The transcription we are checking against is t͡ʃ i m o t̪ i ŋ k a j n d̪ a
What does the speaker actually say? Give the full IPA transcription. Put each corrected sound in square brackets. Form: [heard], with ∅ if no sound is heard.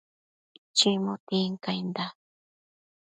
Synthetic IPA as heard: t͡ʃ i m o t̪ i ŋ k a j n d̪ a